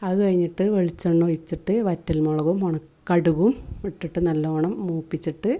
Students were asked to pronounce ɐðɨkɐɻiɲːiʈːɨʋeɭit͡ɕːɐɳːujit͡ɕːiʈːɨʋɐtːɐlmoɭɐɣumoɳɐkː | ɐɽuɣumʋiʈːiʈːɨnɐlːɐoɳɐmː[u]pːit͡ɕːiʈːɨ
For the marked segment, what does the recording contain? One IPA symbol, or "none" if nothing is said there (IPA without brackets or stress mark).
uː